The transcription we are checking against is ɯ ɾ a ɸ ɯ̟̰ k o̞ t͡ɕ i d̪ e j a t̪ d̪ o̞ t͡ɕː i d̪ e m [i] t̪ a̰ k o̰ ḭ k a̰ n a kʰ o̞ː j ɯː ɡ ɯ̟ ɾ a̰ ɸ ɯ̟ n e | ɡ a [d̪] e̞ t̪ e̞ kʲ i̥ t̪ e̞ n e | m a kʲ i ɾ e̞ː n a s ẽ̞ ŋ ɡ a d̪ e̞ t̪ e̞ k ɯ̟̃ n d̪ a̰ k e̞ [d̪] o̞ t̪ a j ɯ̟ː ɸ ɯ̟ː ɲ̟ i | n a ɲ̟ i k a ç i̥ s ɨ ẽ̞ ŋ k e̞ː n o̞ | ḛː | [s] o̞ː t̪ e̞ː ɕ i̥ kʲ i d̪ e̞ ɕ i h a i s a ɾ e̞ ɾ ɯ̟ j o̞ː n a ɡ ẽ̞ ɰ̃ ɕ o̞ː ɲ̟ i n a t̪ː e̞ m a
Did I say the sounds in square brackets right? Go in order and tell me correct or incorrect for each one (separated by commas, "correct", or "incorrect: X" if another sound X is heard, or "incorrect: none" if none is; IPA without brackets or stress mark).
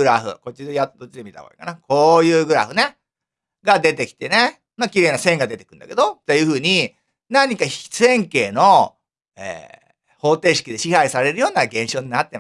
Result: correct, correct, correct, incorrect: h